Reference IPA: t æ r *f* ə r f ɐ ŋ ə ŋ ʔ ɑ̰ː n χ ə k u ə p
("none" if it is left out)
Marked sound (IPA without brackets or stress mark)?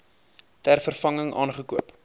f